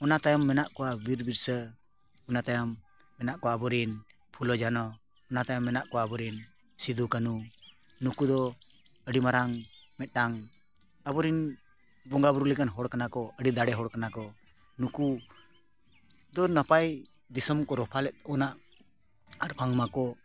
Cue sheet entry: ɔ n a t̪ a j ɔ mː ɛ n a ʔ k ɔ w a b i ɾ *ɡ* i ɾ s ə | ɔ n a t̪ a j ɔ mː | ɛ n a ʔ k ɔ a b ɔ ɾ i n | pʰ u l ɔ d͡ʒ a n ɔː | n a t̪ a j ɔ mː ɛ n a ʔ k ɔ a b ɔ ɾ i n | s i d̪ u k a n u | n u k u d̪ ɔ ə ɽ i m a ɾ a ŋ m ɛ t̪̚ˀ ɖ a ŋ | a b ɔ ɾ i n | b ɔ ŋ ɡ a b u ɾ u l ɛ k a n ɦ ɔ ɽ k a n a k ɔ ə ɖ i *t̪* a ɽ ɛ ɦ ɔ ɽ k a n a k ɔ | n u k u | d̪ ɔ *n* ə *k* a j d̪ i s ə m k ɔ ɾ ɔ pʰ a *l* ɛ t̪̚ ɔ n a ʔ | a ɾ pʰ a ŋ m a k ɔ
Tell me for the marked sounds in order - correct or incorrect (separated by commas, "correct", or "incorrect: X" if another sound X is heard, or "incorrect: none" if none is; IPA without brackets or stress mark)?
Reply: incorrect: b, incorrect: d̪, correct, incorrect: p, correct